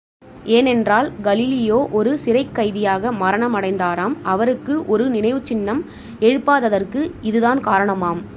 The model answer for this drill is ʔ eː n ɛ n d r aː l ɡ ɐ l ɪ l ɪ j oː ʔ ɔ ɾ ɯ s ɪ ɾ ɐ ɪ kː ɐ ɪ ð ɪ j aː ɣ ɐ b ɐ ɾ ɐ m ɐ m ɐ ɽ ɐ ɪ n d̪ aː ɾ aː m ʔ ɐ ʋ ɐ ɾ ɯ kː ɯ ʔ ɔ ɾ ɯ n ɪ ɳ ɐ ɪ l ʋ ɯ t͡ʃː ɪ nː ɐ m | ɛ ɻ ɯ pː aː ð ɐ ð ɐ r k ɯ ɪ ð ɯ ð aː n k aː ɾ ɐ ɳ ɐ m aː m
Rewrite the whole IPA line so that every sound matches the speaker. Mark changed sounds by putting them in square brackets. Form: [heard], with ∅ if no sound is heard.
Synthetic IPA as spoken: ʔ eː n ɛ n d r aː l ɡ ɐ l ɪ l ɪ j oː ʔ ɔ ɾ ɯ s ɪ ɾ ɐ ɪ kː ɐ ɪ ð ɪ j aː ɣ ɐ [m] ɐ ɾ ɐ [ɳ] ɐ m ɐ ɽ ɐ ɪ n d̪ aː ɾ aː m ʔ ɐ ʋ ɐ ɾ ɯ kː ɯ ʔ ɔ ɾ ɯ n ɪ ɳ ɐ ɪ [∅] ʋ ɯ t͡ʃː ɪ nː ɐ m | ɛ ɻ ɯ pː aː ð ɐ ð ɐ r k ɯ ɪ ð ɯ ð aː n k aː ɾ ɐ ɳ ɐ m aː m